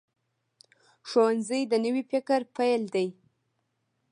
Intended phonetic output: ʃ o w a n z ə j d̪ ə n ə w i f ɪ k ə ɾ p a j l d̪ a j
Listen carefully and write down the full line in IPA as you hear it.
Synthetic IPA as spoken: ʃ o w a n z ə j d̪ ə n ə w i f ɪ k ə ɾ p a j l d̪ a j